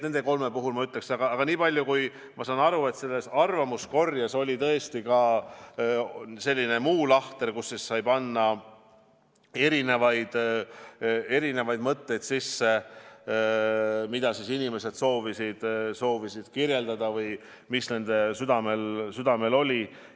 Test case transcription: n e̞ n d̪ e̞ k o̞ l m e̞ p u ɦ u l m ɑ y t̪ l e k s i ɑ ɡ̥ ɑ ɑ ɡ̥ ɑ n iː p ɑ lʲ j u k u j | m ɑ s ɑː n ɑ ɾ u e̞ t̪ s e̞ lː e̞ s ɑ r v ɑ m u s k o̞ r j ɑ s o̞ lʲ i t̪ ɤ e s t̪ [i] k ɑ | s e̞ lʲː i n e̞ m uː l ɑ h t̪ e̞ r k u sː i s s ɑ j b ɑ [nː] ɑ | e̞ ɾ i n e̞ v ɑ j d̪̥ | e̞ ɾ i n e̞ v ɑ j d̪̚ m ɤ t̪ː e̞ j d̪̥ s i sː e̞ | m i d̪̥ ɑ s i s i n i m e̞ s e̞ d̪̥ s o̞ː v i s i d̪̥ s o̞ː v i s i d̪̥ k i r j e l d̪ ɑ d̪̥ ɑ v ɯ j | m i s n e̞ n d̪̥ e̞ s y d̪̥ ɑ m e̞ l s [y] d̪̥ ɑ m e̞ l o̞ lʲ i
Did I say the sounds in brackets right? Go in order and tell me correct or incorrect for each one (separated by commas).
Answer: correct, correct, correct